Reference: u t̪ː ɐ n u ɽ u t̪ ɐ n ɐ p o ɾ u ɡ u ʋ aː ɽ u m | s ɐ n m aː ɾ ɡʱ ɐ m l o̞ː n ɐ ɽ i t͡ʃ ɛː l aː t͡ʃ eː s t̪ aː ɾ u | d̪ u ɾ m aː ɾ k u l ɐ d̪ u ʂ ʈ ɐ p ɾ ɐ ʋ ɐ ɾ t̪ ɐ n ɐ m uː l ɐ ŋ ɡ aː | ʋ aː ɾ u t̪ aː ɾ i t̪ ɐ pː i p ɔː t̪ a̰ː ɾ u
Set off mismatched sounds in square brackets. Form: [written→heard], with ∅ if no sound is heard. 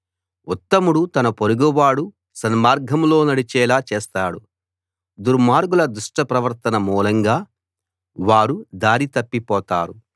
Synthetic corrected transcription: u t̪ː ɐ [n→m] u ɽ u t̪ ɐ n ɐ p o ɾ u ɡ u ʋ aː ɽ u [m→∅] | s ɐ n m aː ɾ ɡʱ ɐ m l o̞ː n ɐ ɽ i t͡ʃ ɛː l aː t͡ʃ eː s t̪ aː [ɾ→ɽ] u | d̪ u ɾ m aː ɾ [k→ɡ] u l ɐ d̪ u ʂ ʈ ɐ p ɾ ɐ ʋ ɐ ɾ t̪ ɐ n ɐ m uː l ɐ ŋ ɡ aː | ʋ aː ɾ u [t̪→d̪] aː ɾ i t̪ ɐ pː i p ɔː t̪ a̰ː ɾ u